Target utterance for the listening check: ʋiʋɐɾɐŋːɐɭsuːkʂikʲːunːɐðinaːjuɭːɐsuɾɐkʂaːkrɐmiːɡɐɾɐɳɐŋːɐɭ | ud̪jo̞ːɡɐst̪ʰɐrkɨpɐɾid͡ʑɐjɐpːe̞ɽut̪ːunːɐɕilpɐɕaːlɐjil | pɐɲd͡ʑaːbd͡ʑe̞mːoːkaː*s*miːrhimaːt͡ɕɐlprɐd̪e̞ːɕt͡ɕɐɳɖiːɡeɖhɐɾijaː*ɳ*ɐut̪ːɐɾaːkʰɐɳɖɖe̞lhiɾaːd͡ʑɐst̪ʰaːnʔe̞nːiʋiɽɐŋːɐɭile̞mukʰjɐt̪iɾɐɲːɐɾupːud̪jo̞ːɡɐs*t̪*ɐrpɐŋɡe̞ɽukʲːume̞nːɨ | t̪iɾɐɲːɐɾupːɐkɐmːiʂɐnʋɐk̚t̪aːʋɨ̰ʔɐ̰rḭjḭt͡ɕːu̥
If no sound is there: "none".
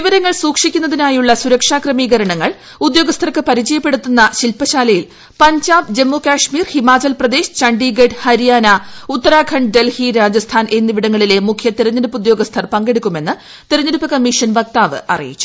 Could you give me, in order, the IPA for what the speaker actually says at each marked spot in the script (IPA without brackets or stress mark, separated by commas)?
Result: ʂ, n, t̪ʰ